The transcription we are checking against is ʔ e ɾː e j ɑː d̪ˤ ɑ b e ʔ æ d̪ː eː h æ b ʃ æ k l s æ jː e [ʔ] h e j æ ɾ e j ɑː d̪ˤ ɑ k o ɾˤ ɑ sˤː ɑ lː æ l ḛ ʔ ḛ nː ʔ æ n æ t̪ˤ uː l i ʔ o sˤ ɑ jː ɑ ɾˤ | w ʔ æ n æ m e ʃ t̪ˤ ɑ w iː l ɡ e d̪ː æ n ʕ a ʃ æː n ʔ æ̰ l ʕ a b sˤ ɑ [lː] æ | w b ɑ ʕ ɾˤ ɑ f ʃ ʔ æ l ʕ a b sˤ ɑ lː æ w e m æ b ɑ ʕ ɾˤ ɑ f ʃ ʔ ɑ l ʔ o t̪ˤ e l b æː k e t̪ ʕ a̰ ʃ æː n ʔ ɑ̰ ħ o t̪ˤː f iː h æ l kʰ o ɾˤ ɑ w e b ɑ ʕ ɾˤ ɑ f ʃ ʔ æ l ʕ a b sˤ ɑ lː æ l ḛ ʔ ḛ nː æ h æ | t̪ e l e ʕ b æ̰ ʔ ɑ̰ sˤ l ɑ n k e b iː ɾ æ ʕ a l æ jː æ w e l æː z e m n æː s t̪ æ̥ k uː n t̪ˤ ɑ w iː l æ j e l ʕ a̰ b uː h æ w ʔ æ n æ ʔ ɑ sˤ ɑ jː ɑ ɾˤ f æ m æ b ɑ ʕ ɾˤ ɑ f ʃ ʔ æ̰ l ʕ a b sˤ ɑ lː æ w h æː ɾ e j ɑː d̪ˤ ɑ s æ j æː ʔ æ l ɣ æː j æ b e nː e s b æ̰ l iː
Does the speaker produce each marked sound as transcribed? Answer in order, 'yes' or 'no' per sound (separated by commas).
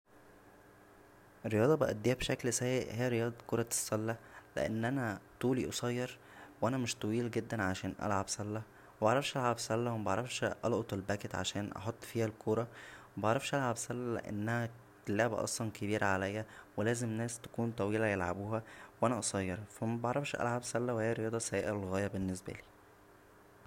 yes, yes